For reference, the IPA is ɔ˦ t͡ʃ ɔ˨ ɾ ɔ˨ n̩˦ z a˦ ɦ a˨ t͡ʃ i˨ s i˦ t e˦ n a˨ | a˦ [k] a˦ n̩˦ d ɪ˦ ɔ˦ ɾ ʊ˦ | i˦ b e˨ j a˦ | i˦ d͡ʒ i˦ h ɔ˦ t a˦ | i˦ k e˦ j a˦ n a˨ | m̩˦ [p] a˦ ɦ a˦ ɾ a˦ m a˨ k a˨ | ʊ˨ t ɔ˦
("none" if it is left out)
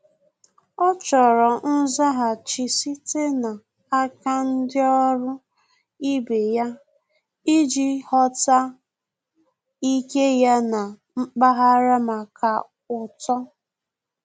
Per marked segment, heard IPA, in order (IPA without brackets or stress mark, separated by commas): k, k͡p